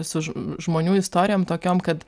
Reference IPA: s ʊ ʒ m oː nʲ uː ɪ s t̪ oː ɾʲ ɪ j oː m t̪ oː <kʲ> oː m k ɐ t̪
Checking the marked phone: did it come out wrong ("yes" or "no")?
no